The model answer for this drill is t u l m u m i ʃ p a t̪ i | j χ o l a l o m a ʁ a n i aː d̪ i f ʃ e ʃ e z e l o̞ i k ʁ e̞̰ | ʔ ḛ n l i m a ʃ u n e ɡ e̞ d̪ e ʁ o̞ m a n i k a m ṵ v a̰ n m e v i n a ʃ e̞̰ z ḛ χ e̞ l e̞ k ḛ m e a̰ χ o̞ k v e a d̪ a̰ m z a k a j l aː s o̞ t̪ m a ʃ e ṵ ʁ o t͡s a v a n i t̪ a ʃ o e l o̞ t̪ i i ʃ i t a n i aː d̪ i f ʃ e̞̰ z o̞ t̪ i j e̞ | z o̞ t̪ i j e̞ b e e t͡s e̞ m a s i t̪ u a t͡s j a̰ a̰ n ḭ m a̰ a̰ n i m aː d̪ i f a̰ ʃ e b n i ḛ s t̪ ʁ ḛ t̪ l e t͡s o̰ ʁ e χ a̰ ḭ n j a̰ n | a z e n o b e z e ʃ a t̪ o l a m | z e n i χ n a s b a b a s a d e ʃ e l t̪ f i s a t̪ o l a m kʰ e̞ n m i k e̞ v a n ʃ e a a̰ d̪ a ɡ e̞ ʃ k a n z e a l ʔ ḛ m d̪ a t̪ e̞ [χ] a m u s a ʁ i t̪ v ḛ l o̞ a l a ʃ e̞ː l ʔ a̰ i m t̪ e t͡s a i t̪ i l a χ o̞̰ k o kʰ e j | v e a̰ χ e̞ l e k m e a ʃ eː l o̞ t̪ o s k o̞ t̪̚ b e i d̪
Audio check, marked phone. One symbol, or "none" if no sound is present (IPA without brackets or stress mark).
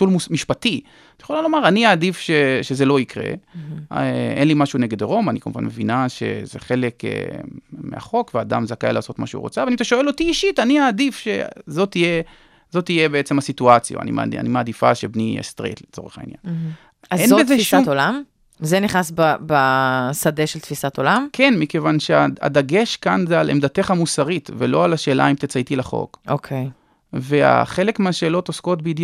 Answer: χ